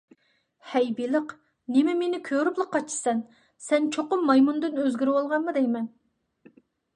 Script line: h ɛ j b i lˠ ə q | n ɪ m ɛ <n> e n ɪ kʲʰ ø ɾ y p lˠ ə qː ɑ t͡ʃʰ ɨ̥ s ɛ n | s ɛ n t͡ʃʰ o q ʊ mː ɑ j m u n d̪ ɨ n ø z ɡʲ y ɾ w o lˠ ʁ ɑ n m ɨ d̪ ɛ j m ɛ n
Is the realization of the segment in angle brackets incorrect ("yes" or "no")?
yes